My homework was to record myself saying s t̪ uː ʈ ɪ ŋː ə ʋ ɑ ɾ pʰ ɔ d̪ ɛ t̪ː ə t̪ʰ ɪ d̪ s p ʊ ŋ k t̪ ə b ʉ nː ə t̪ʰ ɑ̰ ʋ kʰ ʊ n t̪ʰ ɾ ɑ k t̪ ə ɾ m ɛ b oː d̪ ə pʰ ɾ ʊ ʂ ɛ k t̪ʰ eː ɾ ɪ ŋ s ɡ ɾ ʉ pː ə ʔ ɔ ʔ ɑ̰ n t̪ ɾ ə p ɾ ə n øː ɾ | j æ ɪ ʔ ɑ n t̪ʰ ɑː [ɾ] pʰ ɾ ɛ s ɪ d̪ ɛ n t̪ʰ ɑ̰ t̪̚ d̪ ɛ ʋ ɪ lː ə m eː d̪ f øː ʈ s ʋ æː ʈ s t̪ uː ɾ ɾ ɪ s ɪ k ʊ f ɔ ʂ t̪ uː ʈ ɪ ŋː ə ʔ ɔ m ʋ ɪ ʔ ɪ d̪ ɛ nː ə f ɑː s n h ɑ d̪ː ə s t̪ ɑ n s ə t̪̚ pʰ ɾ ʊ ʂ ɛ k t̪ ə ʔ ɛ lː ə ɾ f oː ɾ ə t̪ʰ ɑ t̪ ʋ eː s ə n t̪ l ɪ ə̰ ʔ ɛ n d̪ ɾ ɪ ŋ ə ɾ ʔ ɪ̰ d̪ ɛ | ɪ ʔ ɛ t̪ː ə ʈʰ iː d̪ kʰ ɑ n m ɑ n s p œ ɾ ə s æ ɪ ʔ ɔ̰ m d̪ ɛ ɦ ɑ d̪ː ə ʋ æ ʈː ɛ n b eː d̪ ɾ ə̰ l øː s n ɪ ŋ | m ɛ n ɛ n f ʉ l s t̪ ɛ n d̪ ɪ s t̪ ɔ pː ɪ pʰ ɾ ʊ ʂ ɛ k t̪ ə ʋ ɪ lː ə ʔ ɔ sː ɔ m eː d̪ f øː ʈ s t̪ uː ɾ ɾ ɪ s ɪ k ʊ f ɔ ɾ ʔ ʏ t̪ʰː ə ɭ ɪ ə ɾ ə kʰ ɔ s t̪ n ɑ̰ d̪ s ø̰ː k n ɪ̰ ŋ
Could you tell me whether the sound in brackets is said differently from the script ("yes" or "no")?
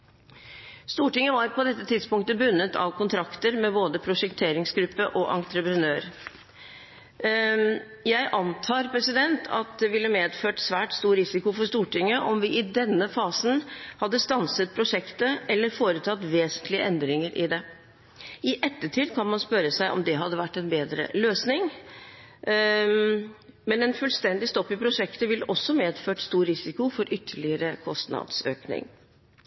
no